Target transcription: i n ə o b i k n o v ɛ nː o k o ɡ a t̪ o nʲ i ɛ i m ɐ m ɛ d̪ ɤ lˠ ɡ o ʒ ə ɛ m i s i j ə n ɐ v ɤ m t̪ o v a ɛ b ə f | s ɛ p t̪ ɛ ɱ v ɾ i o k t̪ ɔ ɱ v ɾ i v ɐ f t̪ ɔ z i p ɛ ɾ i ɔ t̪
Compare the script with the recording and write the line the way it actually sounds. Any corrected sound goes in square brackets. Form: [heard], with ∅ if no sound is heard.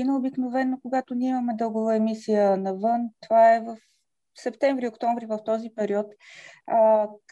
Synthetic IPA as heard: i n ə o b i k n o v ɛ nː o k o ɡ a t̪ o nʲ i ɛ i m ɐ m ɛ d̪ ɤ lˠ ɡ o [v] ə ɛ m i s i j ə n ɐ v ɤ [n] t̪ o v a ɛ [v] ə f | s ɛ p t̪ ɛ ɱ v ɾ i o k t̪ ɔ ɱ v ɾ i v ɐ f t̪ ɔ z i p ɛ ɾ i ɔ t̪